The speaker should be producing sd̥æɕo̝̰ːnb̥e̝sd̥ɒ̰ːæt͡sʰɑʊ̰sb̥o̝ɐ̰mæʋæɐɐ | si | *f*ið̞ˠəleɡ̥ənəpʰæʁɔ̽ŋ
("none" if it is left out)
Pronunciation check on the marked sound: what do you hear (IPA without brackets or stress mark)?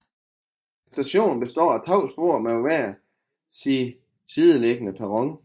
s